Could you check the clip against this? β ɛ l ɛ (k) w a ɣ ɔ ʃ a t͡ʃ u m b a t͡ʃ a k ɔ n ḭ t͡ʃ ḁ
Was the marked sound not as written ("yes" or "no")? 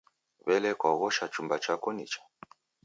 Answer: no